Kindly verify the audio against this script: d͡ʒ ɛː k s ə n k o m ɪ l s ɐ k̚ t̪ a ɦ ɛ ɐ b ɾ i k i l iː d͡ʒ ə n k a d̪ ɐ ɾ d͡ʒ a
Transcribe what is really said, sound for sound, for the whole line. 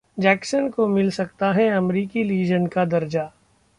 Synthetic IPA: d͡ʒ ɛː k s ə n k o m ɪ l s ɐ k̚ t̪ a ɦ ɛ ɐ m ɾ iː k i l iː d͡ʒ ə n k a d̪ ɐ ɾ d͡ʒ a